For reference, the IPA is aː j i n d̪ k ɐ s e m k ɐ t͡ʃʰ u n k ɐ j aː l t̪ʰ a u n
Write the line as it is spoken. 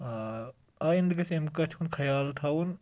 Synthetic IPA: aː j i n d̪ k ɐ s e m k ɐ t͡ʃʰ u n kʰ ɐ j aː l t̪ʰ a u n